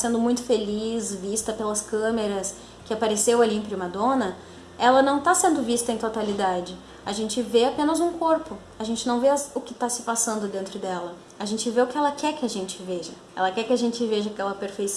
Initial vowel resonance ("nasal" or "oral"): nasal